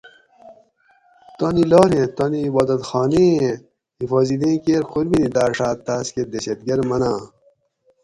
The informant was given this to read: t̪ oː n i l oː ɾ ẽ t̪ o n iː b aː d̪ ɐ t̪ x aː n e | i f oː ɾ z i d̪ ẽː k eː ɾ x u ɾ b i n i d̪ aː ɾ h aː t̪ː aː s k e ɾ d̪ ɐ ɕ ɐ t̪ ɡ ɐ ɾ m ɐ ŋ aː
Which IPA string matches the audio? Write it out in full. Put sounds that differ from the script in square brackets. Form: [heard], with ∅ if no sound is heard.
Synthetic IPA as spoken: t̪ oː n i l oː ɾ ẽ t̪ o n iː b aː d̪ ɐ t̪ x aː n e | i f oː [∅] z i d̪ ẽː k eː ɾ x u ɾ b i n i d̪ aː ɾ [ʂ] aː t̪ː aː s k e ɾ d̪ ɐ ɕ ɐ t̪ ɡ ɐ ɾ m ɐ [n] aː